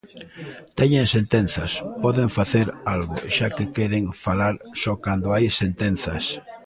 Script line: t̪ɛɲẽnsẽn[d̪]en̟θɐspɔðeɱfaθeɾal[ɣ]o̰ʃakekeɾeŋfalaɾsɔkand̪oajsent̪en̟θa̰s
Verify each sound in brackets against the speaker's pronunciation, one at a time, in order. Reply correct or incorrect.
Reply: incorrect, correct

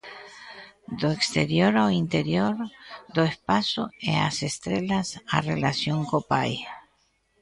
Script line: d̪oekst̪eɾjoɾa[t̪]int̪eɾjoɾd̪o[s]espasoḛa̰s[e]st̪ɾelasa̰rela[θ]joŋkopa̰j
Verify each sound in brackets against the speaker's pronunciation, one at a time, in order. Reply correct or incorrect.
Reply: incorrect, incorrect, correct, incorrect

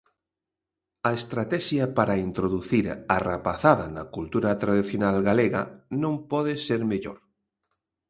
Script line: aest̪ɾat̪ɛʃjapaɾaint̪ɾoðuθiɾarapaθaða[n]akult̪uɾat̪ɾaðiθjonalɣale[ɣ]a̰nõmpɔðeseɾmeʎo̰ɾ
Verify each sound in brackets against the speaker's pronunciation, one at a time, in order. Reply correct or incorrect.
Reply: correct, correct

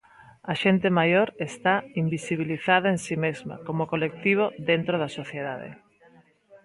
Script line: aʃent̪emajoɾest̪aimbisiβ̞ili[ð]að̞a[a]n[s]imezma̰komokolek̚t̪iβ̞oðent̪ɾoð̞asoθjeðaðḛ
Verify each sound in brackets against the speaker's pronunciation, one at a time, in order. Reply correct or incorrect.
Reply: incorrect, incorrect, correct

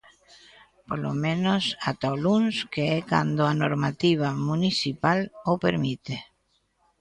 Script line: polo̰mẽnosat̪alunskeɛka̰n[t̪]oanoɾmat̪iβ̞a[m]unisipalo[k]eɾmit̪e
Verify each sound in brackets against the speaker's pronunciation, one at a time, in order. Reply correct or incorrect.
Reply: incorrect, correct, incorrect

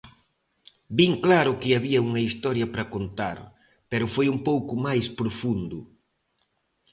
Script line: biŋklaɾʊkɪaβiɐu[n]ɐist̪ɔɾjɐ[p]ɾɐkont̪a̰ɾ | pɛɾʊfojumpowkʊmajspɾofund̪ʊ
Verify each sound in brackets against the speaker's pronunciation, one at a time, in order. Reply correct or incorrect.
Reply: incorrect, correct

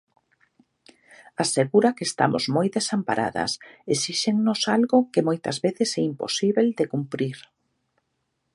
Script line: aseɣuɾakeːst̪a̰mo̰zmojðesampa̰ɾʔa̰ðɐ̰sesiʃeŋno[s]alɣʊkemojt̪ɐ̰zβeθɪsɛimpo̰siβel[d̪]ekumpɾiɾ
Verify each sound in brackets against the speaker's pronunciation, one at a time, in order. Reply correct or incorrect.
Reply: correct, correct

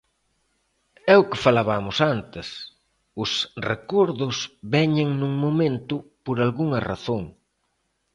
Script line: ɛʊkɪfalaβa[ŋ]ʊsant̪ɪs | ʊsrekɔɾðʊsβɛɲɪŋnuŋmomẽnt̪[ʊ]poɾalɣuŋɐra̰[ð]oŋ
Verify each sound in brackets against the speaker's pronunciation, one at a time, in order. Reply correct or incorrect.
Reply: incorrect, correct, incorrect

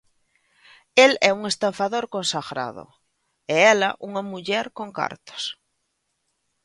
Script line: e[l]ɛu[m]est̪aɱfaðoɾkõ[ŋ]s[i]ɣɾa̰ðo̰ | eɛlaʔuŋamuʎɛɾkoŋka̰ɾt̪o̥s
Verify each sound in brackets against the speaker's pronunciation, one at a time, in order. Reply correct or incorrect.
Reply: correct, incorrect, incorrect, incorrect

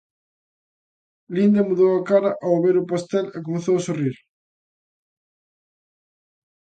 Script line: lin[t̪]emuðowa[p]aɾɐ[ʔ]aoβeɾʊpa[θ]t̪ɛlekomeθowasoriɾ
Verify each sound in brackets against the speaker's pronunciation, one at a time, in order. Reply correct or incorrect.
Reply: incorrect, incorrect, correct, incorrect

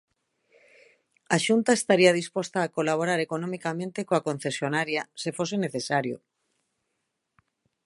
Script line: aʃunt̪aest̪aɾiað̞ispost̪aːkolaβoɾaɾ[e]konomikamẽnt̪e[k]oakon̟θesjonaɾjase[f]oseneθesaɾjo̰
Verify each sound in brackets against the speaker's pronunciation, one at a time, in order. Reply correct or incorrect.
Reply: correct, correct, correct

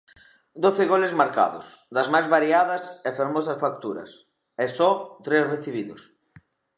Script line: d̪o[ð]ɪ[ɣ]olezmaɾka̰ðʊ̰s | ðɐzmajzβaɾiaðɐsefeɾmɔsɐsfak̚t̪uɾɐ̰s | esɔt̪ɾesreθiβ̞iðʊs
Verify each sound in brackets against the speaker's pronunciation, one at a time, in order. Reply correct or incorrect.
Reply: incorrect, correct

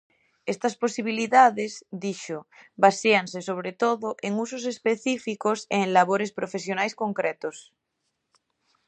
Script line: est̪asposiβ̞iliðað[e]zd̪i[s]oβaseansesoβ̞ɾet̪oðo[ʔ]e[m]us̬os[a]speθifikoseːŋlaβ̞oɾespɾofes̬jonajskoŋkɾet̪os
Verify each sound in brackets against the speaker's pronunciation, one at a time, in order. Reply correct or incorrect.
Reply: correct, incorrect, correct, incorrect, incorrect

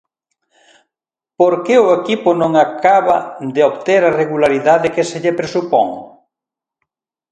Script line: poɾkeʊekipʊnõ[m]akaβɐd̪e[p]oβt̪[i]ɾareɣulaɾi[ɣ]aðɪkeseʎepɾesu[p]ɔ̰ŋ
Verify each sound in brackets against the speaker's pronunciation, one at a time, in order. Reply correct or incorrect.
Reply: incorrect, incorrect, incorrect, incorrect, correct

